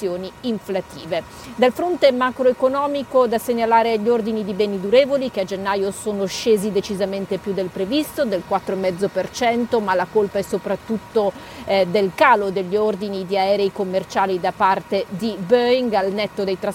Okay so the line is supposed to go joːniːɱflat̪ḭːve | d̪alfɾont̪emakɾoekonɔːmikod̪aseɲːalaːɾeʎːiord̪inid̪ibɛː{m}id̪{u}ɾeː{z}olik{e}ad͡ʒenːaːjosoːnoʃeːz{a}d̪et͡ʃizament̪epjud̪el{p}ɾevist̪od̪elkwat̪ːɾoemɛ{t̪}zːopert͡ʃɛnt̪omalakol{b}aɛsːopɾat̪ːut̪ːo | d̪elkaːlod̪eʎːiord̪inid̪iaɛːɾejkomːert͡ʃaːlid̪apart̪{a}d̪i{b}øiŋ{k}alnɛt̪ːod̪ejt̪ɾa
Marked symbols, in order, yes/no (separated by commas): no, yes, no, yes, no, yes, no, no, no, yes, no